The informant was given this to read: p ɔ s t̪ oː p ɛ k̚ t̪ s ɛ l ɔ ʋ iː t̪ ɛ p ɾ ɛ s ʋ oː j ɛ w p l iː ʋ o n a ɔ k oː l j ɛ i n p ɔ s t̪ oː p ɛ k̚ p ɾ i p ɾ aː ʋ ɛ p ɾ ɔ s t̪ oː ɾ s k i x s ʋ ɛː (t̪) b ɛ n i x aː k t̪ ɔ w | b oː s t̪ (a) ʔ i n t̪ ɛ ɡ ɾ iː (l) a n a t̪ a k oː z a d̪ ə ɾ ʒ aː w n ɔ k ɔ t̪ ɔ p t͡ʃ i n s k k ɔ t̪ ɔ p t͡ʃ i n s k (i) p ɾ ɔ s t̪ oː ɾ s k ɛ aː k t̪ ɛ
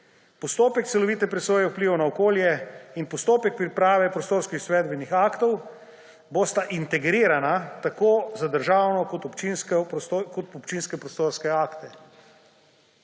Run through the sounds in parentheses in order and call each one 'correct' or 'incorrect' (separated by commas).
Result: incorrect, correct, incorrect, incorrect